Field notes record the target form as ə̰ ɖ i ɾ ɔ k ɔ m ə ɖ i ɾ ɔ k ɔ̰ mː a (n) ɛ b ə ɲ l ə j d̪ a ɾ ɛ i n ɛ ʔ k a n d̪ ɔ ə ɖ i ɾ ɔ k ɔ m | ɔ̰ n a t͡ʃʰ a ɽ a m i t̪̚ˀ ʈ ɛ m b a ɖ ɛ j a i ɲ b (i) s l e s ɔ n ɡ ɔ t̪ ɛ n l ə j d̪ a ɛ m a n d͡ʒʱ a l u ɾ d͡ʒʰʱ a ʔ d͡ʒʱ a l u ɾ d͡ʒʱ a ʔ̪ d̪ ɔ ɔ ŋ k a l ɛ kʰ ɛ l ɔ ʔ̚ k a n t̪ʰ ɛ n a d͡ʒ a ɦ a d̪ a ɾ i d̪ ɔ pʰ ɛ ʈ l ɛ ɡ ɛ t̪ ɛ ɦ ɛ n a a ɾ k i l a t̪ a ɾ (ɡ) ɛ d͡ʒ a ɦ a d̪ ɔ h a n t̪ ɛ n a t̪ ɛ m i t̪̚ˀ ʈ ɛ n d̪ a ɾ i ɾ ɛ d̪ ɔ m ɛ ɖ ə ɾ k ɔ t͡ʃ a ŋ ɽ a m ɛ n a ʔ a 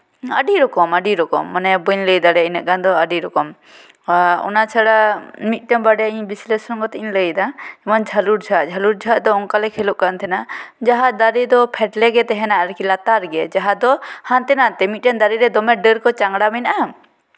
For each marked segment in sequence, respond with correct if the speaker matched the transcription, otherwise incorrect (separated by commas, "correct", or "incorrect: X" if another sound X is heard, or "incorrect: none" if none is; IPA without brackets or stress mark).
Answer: correct, correct, correct